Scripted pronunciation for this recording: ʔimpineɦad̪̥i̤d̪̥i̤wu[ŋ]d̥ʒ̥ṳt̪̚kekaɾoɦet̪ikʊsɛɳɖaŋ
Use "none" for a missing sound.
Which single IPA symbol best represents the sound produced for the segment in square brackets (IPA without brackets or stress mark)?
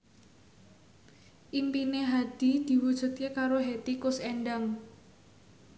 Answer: none